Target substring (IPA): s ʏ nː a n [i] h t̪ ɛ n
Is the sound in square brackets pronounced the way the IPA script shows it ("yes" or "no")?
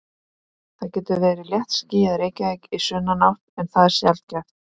no